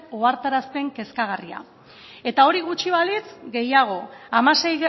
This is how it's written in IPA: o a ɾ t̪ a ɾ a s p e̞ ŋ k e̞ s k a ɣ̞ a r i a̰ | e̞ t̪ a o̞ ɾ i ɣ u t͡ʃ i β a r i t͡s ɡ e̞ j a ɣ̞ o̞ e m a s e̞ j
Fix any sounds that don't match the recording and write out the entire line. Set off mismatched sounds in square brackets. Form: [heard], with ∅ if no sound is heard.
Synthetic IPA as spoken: o a ɾ t̪ a ɾ a s p e̞ ŋ k e̞ s k a ɣ̞ a r i a̰ | e̞ t̪ a o̞ ɾ i ɣ u t͡ʃ i β a [l] i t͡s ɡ e̞ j a ɣ̞ o̞ [a] m a s e̞ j